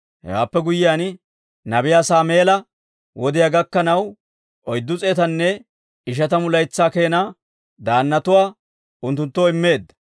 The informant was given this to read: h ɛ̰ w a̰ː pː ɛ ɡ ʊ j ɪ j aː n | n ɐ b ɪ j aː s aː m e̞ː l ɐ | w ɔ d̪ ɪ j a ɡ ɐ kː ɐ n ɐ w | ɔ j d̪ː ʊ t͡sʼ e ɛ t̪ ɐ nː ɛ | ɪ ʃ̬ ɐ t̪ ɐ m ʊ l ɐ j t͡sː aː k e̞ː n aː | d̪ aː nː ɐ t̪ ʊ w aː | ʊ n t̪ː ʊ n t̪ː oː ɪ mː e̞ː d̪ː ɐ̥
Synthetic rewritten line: h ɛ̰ w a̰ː pː ɛ ɡ ʊ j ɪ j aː n | n ɐ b ɪ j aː s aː m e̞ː l ɐ | w ɔ d̪ ɪ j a ɡ ɐ kː ɐ n ɐ w | ɔ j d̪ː ʊ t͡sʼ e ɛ t̪ ɐ nː ɛ | ɪ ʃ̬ ɐ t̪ ɐ m ʊ l ɐ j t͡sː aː k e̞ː n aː | d̪ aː nː ɐ t̪ ʊ w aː | ʊ n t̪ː ʊ n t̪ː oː ɪ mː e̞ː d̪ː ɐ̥